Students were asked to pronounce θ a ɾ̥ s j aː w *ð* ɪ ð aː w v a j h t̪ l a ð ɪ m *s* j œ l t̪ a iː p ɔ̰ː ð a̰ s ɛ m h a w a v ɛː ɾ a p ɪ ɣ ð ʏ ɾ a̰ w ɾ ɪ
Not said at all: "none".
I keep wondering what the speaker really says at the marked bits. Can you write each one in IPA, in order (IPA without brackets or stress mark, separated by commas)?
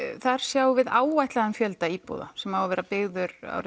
v, f